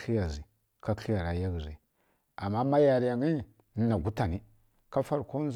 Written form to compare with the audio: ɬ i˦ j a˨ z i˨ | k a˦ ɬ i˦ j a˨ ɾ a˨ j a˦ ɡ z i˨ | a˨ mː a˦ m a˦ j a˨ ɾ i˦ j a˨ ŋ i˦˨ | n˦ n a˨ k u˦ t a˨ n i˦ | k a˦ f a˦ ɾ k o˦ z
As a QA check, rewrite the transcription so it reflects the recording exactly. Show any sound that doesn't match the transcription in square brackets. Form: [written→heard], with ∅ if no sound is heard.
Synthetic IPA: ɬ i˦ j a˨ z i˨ | k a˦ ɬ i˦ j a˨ ɾ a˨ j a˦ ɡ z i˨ | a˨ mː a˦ m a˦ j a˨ ɾ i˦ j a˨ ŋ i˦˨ | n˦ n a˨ [k→ɡ] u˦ t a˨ n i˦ | k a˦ f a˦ ɾ k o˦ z